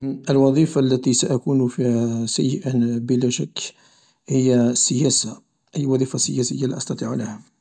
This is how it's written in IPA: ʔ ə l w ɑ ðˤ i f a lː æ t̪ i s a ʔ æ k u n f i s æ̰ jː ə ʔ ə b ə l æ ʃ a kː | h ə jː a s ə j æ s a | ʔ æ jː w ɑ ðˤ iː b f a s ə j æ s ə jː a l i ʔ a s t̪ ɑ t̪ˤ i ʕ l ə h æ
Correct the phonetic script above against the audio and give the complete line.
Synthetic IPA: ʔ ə l w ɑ ðˤ i f a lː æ t̪ i s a ʔ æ k u n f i s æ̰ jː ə ʔ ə b ə l æ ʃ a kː | h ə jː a s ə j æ s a | ʔ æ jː w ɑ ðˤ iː f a s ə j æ s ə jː a l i ʔ ɑ s t̪ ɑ t̪ˤ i ʕ l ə h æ